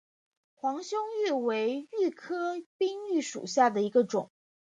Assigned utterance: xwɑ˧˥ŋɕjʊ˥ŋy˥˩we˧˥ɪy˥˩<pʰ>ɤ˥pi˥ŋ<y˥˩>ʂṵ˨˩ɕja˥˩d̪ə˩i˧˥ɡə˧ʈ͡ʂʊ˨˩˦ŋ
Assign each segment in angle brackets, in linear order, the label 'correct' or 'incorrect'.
incorrect: kʰ, correct

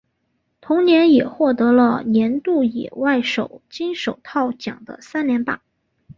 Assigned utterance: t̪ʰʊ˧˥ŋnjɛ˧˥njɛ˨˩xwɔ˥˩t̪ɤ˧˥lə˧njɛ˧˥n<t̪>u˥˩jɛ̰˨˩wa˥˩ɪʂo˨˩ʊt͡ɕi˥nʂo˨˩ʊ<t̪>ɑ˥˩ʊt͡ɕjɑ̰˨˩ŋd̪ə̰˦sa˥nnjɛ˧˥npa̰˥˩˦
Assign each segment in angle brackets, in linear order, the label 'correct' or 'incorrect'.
correct, incorrect: t̪ʰ

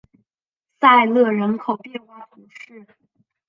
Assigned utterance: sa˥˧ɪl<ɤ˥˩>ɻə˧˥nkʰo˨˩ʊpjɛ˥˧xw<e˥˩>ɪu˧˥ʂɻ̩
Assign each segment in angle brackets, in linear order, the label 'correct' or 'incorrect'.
correct, incorrect: a˥˩

